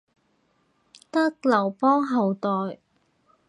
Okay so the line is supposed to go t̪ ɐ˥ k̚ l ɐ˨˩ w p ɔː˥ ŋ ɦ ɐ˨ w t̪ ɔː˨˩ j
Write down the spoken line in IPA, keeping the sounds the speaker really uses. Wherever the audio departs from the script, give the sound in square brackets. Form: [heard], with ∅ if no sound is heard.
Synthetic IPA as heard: t̪ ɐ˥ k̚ l ɐ˨˩ w p ɔː˥ ŋ ɦ ɐ˨ w t̪ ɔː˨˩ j